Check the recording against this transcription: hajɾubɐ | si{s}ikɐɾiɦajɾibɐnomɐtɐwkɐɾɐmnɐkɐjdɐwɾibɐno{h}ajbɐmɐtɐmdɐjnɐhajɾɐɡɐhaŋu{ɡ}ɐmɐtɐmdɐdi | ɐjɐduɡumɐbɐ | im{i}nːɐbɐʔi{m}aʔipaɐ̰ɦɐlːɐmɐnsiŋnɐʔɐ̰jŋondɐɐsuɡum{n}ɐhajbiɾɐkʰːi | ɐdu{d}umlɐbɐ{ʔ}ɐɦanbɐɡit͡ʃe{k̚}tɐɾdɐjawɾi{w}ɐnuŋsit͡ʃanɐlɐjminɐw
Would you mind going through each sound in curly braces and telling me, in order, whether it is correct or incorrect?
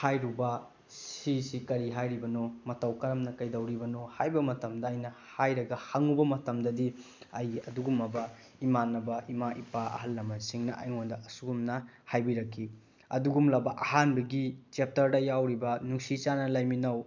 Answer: correct, correct, incorrect, incorrect, correct, correct, incorrect, correct, incorrect, incorrect

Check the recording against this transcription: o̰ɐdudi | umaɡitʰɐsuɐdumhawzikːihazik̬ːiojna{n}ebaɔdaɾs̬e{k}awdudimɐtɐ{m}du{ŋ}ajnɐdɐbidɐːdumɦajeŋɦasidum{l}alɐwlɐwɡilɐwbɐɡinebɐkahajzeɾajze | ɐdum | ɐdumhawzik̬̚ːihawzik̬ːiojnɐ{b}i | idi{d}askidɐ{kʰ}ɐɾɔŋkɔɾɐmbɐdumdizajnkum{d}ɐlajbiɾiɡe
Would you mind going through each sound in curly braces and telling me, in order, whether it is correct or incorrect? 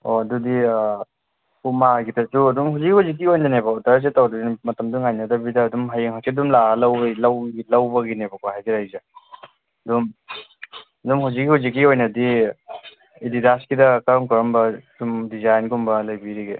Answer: correct, incorrect, correct, correct, correct, incorrect, correct, incorrect, incorrect

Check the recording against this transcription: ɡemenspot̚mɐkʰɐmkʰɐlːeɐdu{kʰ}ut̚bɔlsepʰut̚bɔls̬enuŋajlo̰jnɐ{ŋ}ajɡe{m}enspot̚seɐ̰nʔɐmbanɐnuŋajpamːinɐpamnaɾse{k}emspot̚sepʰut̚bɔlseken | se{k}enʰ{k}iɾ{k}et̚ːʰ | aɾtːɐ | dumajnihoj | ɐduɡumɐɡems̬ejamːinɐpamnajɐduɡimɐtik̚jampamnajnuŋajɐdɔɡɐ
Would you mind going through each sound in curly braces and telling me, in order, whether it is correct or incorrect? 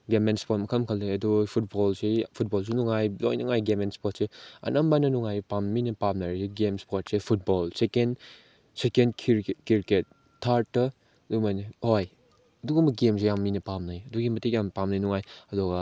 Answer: incorrect, correct, correct, incorrect, correct, correct, correct

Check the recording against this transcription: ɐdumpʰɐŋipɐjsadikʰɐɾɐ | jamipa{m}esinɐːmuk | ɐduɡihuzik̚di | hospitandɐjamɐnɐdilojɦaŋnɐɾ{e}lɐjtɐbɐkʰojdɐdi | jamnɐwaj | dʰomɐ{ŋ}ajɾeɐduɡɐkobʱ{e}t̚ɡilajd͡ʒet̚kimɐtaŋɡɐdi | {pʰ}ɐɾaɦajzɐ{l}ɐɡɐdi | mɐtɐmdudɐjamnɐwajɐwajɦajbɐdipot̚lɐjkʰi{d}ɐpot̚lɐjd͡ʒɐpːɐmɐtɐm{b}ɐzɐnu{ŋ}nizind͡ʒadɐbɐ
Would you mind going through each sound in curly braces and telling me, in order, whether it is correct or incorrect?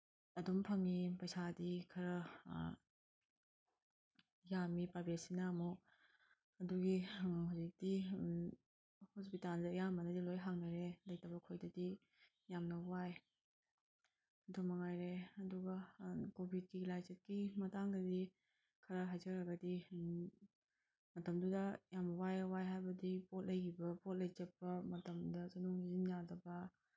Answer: incorrect, correct, correct, incorrect, incorrect, incorrect, incorrect, incorrect, correct

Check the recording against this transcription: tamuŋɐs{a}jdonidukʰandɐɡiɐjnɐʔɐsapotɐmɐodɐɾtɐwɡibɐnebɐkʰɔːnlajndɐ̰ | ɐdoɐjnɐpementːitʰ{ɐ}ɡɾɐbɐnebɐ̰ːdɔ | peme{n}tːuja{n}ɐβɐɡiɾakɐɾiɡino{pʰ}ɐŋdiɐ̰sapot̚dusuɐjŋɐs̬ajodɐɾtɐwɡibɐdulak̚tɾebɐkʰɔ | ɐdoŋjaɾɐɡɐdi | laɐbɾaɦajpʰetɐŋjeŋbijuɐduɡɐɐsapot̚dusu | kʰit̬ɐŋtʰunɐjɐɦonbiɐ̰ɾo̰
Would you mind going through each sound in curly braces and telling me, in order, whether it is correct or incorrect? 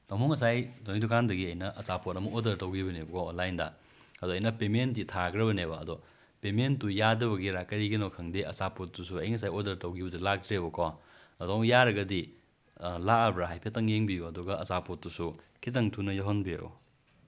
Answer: correct, incorrect, correct, incorrect, incorrect

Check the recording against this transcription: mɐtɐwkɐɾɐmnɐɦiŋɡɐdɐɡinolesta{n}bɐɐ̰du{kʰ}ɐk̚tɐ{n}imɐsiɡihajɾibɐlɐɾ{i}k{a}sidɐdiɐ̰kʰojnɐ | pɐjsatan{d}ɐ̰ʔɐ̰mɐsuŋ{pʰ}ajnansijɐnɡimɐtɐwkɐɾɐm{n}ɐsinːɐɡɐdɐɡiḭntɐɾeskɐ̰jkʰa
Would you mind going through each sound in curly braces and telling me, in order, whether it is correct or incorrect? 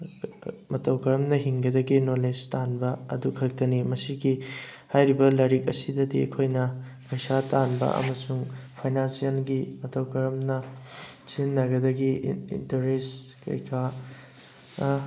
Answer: correct, correct, correct, correct, incorrect, incorrect, correct, correct

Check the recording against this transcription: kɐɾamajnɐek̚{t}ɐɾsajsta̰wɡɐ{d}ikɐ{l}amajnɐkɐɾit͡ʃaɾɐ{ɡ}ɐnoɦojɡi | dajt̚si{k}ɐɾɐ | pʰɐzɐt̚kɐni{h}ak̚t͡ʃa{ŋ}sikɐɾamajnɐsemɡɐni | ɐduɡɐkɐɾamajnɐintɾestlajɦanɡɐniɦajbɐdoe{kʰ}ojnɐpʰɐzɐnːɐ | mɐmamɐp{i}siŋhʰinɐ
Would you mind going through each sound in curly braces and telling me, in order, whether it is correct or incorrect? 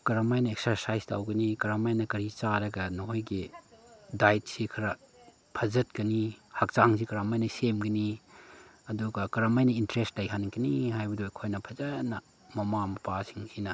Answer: incorrect, incorrect, incorrect, correct, incorrect, correct, correct, correct, incorrect

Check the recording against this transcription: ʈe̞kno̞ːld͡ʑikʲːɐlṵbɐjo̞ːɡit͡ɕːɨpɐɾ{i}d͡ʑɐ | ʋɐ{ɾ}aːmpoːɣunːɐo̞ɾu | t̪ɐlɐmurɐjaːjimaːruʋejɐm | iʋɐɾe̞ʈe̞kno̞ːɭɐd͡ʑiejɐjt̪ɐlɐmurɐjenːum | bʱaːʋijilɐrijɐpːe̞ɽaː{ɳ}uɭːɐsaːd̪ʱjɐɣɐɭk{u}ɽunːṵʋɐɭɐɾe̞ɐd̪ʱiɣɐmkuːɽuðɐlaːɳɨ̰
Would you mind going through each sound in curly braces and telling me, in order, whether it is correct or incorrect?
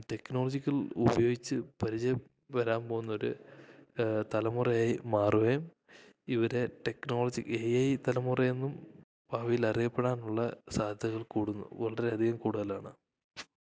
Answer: correct, correct, incorrect, incorrect

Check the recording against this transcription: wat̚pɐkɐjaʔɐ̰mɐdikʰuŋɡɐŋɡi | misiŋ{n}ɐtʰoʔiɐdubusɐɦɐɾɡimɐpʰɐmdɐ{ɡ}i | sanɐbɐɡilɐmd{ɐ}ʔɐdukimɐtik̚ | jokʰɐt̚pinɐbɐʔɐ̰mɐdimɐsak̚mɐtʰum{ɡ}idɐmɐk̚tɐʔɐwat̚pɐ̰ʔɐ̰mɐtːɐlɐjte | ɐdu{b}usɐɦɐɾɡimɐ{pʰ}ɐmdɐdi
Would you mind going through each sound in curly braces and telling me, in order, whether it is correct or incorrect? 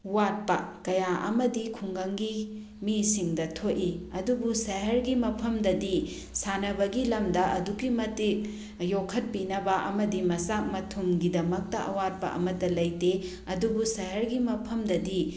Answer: incorrect, incorrect, correct, correct, correct, correct

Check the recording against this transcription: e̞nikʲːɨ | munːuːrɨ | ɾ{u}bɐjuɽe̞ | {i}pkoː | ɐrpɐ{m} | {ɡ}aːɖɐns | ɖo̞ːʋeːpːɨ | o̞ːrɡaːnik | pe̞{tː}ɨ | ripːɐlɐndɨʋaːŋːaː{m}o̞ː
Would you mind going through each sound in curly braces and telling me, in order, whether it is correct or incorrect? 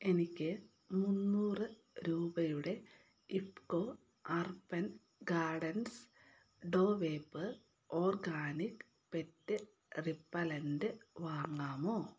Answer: incorrect, correct, incorrect, correct, correct, correct

